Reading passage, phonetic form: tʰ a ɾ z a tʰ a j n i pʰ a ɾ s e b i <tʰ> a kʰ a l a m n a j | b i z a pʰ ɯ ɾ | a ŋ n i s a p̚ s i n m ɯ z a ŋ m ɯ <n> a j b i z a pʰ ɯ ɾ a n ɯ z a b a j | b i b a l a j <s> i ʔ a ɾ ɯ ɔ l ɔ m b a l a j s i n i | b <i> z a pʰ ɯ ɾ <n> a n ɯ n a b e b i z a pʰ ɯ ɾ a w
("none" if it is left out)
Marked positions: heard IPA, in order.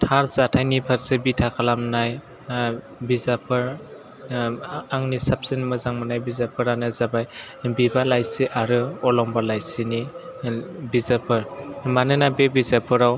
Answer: tʰ, n, s, i, m

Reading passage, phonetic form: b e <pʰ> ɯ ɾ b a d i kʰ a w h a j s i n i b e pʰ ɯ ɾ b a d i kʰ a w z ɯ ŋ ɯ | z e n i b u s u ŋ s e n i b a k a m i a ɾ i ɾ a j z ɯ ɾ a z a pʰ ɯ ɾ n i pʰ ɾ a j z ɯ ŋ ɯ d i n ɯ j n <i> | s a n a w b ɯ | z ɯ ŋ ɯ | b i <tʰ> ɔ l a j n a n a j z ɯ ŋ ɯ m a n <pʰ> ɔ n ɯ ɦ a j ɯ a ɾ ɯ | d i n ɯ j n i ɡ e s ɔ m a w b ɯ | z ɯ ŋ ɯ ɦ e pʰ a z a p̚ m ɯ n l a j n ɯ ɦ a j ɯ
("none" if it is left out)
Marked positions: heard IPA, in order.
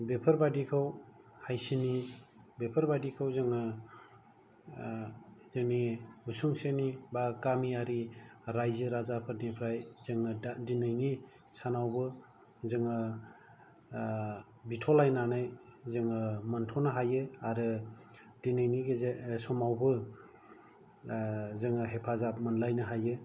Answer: pʰ, i, tʰ, tʰ

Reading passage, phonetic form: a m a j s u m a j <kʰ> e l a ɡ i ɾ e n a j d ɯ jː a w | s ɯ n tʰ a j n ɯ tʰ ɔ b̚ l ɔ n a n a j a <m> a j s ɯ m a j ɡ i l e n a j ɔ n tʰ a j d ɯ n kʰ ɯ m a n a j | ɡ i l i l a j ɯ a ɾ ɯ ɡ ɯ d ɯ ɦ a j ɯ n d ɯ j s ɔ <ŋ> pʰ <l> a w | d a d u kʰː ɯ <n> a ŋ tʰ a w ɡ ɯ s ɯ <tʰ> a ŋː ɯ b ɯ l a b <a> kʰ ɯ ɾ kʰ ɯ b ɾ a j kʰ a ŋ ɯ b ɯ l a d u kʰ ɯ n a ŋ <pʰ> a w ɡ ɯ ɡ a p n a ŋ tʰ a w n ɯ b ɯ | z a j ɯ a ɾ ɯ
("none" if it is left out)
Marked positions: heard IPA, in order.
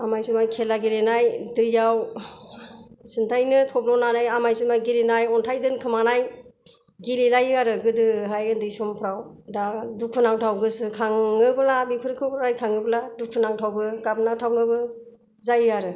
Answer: kʰ, m, m, ɾ, n, kʰ, i, tʰ

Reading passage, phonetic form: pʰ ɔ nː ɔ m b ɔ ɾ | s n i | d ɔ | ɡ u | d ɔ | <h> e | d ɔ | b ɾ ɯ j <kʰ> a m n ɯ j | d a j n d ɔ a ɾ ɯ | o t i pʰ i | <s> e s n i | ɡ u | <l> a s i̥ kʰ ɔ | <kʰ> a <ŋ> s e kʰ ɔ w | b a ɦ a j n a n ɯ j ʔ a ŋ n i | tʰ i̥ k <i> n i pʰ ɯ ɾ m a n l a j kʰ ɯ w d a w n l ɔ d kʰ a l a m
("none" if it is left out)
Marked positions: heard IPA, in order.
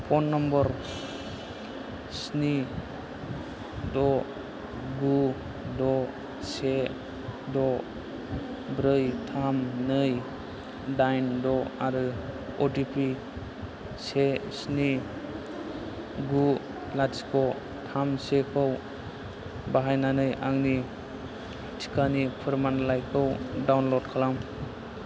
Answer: s, tʰ, s, l, tʰ, m, a

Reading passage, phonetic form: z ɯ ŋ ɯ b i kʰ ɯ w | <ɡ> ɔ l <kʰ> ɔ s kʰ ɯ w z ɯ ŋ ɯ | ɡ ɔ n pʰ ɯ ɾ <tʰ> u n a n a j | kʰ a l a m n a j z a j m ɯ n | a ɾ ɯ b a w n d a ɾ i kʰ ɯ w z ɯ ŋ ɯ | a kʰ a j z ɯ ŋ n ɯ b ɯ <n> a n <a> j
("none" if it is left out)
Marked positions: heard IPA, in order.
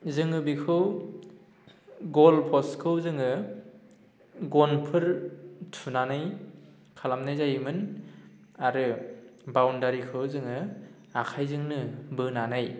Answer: ɡ, pʰ, tʰ, n, a

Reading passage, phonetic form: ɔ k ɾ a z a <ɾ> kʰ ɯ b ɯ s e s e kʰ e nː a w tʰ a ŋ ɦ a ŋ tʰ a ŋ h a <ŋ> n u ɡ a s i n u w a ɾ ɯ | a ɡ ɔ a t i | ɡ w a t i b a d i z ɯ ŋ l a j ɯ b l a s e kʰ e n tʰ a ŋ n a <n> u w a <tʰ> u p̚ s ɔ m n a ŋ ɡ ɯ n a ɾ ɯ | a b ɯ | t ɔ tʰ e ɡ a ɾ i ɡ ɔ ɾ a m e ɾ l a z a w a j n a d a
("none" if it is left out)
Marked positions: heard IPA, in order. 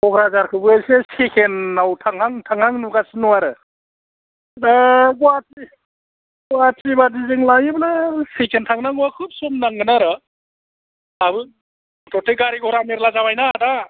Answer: ɾ, ŋ, ŋ, kʰ

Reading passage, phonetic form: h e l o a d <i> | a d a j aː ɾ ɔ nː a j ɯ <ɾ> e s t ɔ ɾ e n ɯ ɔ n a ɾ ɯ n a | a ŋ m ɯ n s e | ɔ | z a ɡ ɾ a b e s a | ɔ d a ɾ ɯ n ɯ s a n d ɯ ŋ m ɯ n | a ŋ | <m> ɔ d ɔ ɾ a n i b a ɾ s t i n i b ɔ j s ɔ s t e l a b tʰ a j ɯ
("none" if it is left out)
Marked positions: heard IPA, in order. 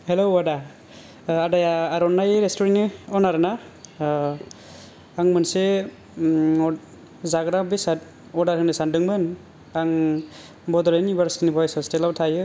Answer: a, ɾ, b

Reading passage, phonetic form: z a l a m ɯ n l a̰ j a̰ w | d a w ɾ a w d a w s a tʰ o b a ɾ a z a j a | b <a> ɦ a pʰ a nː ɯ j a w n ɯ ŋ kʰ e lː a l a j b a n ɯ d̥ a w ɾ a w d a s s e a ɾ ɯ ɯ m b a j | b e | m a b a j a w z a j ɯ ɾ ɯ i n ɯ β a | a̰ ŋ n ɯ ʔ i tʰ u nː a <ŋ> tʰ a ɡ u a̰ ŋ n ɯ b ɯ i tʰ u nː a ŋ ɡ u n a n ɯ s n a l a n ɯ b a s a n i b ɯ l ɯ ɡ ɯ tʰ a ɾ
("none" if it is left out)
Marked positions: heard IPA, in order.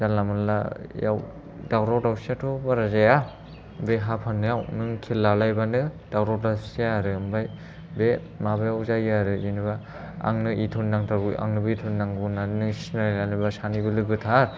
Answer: e, ŋ

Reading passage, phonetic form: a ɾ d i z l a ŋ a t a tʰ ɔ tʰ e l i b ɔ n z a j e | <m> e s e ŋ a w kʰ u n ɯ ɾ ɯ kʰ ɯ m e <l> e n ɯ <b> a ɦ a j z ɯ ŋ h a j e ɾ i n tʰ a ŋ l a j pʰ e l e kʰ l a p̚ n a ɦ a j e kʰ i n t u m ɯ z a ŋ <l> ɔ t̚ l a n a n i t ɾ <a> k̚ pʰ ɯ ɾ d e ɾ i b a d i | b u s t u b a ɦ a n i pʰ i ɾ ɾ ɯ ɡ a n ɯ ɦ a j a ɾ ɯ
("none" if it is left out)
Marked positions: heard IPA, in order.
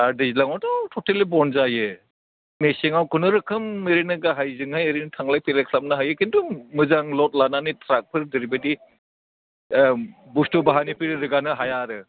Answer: m, ɾ, ɡ, l, a

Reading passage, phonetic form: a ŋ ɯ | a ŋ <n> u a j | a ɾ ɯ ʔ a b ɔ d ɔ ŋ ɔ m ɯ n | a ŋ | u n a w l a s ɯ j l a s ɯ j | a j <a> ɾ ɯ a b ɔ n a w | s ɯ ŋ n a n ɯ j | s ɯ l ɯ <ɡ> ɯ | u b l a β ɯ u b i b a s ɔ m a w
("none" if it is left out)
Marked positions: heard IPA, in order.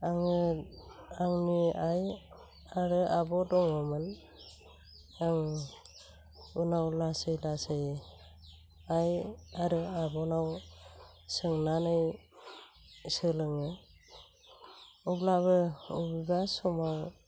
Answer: n, a, ŋ

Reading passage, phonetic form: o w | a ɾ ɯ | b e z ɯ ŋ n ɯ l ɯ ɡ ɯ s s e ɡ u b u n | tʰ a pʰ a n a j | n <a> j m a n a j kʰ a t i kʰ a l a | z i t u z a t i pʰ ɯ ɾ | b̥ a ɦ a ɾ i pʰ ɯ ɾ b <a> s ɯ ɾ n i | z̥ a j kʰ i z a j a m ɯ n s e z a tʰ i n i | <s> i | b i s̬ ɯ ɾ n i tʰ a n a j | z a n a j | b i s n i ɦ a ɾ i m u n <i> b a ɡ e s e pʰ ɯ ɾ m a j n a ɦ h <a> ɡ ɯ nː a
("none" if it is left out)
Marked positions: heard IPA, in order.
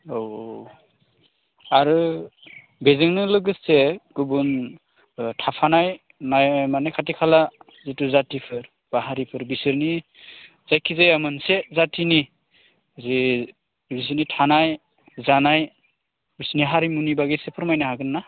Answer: a, i, z, i, a

